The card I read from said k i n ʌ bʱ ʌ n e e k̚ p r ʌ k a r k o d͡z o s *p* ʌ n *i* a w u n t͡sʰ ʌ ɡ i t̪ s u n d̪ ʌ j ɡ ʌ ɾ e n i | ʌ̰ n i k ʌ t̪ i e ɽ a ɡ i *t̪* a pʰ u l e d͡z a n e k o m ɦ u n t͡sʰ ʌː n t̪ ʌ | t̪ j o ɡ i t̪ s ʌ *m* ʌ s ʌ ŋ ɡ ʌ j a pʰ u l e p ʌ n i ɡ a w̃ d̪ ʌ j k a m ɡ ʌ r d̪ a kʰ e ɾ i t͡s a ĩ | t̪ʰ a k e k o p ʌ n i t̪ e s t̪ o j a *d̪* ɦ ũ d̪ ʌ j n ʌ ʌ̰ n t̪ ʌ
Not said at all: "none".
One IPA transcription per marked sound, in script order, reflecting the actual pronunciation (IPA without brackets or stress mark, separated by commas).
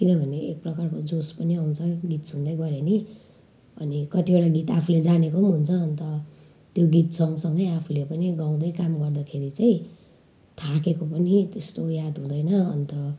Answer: p, i, t̪, ŋ, d̪